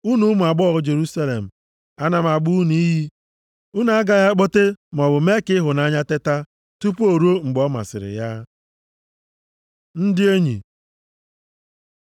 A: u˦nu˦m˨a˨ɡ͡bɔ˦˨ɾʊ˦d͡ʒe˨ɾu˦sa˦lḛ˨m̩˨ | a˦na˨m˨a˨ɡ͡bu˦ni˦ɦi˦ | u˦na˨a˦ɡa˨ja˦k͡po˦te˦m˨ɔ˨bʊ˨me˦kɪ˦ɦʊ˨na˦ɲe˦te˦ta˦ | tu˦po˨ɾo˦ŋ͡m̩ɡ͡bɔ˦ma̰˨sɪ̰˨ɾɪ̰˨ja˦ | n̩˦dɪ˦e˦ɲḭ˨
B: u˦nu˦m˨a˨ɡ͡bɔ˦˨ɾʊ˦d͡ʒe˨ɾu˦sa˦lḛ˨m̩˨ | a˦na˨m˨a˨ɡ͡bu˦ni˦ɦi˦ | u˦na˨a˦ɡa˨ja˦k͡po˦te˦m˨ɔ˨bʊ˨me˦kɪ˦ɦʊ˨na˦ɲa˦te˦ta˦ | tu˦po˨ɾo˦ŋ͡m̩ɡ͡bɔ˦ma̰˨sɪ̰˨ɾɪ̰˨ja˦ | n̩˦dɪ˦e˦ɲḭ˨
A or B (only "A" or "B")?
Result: B